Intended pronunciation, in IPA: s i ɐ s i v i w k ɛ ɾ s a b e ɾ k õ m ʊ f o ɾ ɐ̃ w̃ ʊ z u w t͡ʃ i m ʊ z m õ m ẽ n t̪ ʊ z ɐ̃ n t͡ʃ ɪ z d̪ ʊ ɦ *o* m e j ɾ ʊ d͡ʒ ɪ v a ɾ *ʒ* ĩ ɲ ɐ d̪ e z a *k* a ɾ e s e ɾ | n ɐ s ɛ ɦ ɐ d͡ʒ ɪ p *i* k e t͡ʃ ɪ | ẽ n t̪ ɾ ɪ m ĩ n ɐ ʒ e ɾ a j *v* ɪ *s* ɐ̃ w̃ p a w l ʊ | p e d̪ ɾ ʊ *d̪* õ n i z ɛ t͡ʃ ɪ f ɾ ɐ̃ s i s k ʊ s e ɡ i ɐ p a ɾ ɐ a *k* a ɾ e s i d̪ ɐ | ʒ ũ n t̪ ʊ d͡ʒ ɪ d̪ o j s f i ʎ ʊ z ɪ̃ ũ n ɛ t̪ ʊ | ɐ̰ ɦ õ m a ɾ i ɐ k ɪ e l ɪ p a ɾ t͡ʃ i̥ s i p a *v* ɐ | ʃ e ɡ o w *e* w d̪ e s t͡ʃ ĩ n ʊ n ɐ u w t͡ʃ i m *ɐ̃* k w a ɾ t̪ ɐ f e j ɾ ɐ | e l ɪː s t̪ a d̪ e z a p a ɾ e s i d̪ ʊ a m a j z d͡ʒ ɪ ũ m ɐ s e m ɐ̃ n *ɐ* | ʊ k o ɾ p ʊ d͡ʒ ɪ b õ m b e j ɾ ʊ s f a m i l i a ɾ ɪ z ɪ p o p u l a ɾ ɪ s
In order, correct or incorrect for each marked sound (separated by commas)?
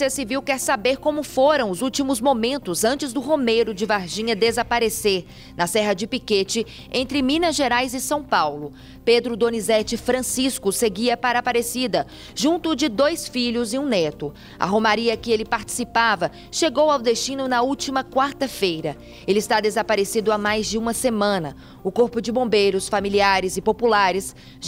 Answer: correct, correct, incorrect, correct, incorrect, correct, correct, incorrect, correct, incorrect, incorrect, correct